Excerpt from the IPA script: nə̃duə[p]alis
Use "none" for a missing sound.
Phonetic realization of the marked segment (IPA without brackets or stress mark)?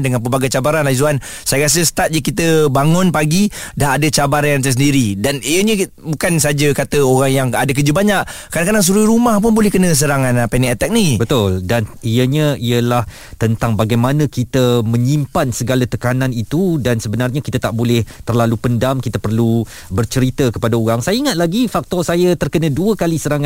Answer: k